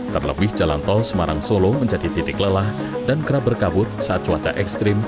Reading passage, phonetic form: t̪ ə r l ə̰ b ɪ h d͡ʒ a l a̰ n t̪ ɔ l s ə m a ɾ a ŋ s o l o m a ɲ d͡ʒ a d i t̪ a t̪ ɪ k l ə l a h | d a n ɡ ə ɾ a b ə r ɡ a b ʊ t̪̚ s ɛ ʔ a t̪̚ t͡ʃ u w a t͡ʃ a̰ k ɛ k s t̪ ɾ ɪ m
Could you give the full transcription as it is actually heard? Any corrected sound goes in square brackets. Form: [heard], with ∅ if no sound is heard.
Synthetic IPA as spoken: t̪ ə r l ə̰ b ɪ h d͡ʒ a l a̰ n t̪ ɔ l s ə m a ɾ a ŋ s o l o m [ə] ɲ d͡ʒ a d i t̪ [i] t̪ ɪ k l ə l a h | d a n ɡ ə ɾ a b ə r [k] a b ʊ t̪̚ s [a] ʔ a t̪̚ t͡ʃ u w a t͡ʃ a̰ [ʔ] ɛ k s t̪ ɾ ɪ m